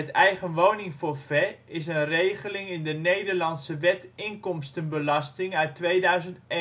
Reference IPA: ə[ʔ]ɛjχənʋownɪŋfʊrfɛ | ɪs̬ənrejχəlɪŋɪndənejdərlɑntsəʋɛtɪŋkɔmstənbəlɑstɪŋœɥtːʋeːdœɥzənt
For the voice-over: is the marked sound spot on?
no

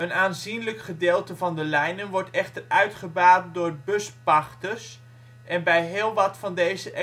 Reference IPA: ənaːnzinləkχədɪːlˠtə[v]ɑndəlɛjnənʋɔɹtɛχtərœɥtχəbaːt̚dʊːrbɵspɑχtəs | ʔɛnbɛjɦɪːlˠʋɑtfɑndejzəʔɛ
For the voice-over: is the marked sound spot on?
yes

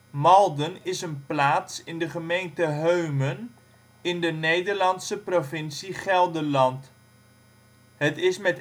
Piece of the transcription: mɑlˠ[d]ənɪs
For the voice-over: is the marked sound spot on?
yes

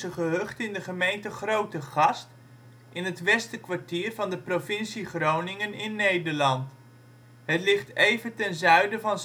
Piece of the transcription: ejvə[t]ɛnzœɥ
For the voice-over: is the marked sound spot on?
yes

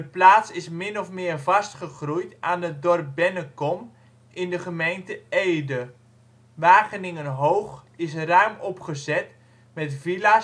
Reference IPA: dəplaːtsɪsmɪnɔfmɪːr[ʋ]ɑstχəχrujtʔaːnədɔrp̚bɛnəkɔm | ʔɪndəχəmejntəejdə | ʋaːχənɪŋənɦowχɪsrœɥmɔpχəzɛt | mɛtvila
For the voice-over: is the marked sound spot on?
no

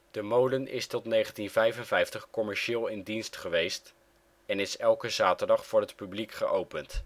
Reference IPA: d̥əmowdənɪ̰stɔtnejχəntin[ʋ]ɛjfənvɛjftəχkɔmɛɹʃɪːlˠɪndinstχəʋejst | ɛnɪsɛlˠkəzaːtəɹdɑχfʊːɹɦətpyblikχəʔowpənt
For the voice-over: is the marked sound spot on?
no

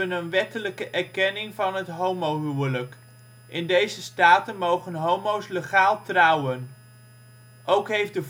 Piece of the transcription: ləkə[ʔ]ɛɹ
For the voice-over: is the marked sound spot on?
yes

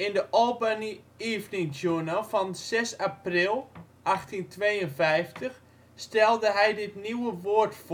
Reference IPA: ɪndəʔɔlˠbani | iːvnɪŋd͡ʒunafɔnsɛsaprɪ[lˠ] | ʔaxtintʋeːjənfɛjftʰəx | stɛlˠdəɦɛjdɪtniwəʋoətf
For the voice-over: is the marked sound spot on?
yes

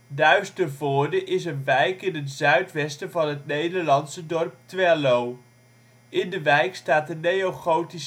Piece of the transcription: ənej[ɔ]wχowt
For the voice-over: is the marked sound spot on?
no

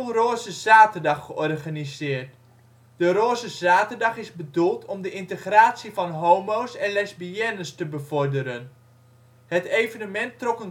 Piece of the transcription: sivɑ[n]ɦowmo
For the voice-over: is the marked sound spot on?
yes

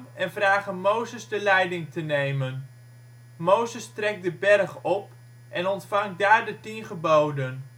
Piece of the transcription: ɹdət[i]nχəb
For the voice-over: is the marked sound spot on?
yes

